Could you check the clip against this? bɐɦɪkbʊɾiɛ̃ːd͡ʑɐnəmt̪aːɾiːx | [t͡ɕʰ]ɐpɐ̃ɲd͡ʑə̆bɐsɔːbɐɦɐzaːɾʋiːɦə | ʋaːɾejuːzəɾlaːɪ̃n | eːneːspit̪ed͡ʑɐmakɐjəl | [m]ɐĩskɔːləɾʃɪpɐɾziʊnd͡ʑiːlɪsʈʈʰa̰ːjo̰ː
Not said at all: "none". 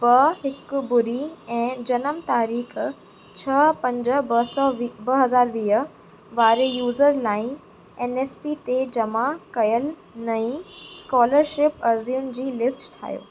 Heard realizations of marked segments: t͡ɕʰ, n

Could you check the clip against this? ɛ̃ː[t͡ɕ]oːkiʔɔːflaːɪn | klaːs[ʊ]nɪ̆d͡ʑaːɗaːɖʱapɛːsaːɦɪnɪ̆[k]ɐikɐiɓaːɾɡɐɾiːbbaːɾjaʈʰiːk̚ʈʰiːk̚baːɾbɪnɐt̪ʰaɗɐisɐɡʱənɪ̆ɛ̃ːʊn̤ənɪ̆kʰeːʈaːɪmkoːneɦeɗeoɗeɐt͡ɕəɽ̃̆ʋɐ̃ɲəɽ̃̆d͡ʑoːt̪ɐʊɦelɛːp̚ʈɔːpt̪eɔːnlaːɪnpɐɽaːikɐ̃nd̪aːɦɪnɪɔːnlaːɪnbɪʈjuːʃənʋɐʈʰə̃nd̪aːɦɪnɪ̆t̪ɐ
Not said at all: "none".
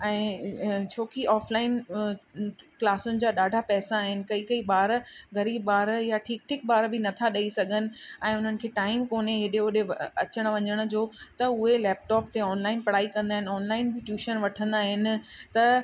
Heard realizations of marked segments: t͡ɕʰ, ʊ, k

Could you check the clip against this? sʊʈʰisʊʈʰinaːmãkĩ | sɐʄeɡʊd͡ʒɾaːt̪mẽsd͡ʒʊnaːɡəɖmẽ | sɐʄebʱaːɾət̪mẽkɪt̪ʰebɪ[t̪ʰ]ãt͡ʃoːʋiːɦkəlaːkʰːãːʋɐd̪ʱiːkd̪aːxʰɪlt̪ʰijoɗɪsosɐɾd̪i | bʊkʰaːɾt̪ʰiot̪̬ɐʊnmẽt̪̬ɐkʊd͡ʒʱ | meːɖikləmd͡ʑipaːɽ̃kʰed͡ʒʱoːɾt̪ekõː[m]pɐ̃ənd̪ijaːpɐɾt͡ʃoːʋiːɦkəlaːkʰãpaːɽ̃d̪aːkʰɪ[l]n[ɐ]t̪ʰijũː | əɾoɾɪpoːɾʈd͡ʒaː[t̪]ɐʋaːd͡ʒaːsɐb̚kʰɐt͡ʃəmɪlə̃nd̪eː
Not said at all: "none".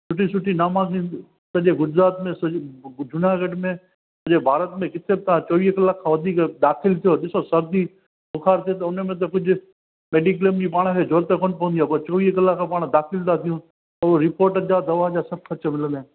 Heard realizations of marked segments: t̪, n, l, a, d̪

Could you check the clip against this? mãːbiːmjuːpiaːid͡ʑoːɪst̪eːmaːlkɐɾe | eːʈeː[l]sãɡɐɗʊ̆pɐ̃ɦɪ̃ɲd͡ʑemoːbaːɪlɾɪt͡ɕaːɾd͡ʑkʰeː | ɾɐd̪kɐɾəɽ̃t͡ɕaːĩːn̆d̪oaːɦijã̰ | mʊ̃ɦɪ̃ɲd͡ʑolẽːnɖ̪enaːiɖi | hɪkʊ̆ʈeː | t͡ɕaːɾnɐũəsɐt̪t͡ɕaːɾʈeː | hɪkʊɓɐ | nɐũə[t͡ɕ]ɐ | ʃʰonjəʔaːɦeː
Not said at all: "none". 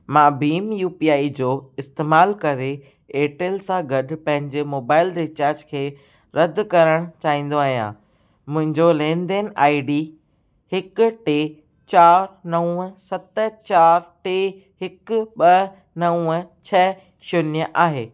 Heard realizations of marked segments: l, t͡ɕʰ

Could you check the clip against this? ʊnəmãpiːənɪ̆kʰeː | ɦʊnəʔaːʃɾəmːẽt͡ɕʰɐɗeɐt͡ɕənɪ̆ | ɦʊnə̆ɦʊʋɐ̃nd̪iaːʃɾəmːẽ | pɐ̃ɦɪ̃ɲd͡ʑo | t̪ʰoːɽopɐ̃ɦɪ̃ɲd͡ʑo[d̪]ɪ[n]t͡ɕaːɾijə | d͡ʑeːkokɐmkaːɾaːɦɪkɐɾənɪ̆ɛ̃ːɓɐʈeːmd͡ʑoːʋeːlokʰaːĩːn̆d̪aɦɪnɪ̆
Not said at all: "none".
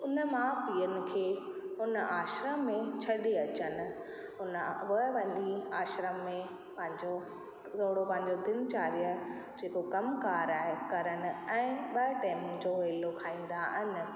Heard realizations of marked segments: d̪, n

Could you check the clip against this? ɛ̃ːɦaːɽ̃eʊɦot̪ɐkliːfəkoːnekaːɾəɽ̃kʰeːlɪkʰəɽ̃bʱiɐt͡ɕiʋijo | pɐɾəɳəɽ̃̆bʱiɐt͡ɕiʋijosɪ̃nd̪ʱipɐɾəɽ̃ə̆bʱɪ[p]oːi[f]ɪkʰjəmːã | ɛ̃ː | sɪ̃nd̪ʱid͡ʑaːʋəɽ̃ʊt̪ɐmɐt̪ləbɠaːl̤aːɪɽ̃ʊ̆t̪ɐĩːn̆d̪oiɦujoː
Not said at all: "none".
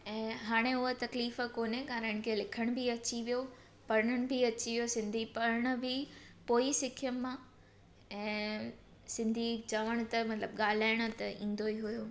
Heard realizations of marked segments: p, s

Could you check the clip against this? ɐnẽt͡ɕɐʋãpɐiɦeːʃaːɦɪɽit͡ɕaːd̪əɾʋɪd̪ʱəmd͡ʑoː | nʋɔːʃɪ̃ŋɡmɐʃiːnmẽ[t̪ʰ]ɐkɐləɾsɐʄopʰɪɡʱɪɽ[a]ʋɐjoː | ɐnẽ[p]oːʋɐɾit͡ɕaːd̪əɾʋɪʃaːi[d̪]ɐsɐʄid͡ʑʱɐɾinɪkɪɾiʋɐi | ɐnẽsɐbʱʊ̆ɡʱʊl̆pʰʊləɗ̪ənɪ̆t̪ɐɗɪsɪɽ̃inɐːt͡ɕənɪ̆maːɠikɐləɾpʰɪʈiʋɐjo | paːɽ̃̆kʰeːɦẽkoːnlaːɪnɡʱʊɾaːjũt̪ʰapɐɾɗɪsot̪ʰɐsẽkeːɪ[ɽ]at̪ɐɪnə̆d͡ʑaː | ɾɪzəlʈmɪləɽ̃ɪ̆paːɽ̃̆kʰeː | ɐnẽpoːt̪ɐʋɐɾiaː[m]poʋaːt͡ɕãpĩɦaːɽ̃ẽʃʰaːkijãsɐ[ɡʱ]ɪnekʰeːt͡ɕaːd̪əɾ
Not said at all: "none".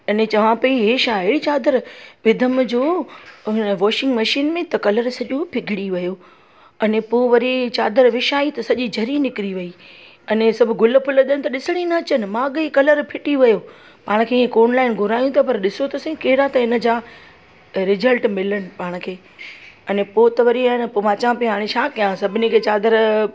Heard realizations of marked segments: t̪, i, p, t̪, ɾ, n, bʱ

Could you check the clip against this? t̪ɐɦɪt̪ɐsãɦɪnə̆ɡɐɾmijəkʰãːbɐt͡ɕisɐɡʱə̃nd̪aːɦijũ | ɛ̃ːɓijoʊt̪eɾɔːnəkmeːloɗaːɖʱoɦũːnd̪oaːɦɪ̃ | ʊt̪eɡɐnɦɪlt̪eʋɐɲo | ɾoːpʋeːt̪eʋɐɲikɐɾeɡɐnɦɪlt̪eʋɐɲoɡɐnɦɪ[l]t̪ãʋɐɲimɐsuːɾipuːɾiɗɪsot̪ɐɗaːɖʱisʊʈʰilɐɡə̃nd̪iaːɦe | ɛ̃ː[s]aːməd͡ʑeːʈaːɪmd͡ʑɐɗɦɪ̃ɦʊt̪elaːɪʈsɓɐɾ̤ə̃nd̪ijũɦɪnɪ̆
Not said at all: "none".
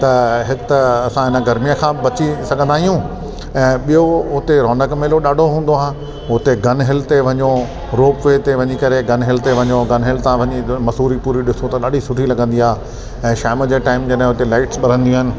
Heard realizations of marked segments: l, ʃ

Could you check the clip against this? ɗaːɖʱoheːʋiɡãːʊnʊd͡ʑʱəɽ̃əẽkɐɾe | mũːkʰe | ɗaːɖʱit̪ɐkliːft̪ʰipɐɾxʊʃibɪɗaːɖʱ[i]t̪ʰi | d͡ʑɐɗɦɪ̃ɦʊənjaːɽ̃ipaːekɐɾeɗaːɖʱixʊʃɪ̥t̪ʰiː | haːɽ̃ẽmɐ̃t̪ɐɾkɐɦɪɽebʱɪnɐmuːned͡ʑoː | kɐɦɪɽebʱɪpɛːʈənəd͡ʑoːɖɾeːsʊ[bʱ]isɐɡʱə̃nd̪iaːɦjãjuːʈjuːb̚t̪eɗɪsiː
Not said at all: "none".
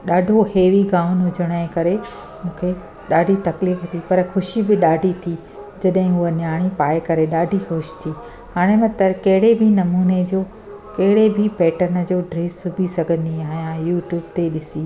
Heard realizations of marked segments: i, bʱ

